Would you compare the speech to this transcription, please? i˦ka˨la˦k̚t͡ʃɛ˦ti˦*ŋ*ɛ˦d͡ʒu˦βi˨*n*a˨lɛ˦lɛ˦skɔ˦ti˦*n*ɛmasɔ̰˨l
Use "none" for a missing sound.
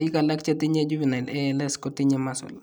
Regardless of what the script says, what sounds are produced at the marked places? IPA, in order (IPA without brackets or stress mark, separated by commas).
ɲ, n, ɲ